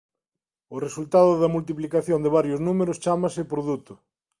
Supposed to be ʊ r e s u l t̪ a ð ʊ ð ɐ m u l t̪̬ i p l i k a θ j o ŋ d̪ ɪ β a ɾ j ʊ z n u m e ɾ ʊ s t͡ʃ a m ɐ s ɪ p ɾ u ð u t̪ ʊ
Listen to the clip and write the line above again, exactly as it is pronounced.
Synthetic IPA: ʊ r e s u l t̪ a ð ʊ ð ɐ m u l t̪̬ i p l i k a θ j o n d̪ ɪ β a ɾ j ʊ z n u m e ɾ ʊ s t͡ʃ a m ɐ s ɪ p ɾ o ð u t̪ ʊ